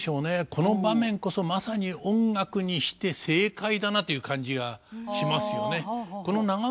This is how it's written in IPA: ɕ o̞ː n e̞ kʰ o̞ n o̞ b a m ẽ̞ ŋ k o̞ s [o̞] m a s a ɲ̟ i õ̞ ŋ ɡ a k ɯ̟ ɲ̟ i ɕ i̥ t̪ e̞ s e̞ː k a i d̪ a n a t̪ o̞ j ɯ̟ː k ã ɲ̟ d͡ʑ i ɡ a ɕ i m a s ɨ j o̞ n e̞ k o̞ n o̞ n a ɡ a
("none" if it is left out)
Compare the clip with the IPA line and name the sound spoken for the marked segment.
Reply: o̞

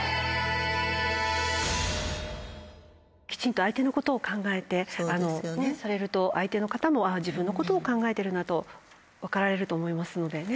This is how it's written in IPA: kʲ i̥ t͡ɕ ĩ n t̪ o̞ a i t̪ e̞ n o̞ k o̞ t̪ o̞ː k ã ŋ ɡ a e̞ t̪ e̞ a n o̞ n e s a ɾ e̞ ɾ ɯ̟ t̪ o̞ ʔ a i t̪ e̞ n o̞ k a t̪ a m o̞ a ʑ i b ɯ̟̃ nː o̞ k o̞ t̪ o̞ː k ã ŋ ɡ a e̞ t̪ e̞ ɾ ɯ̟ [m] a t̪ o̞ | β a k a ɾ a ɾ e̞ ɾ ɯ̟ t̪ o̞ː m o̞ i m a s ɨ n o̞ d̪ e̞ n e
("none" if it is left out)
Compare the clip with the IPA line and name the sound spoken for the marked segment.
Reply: n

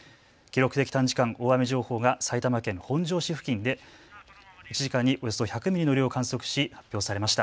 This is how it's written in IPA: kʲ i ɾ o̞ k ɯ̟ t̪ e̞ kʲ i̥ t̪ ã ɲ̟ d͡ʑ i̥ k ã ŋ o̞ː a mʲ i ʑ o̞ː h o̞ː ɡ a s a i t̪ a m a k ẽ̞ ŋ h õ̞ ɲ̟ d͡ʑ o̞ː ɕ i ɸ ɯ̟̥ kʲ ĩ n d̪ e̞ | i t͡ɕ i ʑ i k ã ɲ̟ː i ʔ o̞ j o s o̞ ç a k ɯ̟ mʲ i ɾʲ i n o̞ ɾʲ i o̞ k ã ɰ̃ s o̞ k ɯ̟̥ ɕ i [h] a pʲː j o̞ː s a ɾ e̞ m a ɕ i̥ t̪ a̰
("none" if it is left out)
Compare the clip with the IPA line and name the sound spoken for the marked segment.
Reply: h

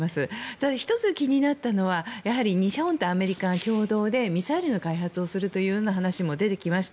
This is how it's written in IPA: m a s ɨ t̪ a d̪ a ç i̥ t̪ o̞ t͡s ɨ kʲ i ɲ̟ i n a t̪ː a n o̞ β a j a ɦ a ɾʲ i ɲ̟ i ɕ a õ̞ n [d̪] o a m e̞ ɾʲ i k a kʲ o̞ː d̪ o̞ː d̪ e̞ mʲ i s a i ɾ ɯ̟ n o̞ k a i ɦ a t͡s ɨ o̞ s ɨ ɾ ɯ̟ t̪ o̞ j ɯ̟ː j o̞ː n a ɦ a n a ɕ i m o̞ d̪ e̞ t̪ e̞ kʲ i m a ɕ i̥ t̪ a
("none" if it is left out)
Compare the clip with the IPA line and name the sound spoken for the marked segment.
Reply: t̪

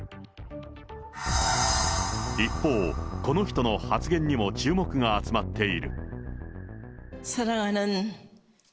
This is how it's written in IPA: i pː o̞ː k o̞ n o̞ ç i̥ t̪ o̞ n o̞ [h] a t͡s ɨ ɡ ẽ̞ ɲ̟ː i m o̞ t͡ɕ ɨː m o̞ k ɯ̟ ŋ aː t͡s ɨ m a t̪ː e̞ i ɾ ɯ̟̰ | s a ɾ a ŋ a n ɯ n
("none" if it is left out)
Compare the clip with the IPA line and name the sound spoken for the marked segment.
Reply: h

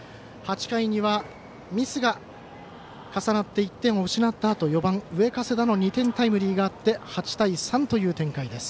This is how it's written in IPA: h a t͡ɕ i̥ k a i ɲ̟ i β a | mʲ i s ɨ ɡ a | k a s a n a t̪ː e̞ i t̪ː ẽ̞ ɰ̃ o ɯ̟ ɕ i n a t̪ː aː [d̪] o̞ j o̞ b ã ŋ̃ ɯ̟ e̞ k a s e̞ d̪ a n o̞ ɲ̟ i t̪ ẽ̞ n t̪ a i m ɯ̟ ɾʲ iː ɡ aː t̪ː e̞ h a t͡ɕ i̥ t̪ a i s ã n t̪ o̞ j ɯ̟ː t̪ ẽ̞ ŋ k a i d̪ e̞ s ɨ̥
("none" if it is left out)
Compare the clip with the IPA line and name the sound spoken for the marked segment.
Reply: t̪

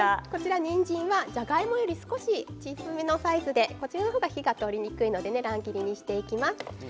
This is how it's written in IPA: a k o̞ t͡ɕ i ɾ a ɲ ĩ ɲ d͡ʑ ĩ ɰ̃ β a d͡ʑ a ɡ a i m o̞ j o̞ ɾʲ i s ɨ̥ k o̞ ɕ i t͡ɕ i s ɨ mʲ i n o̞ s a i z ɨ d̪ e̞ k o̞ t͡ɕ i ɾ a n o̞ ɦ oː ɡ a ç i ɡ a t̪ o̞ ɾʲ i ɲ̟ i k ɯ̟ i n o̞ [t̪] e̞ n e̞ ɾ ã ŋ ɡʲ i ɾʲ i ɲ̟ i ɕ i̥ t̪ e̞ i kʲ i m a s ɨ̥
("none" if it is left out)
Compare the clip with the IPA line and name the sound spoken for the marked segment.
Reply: d̪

